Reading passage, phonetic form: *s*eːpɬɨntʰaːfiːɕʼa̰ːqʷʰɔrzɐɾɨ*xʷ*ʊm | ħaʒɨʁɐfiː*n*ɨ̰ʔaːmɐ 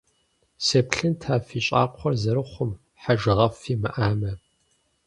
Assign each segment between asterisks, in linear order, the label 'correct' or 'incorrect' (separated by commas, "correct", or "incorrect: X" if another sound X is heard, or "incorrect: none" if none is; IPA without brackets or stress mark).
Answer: correct, incorrect: χʷ, incorrect: m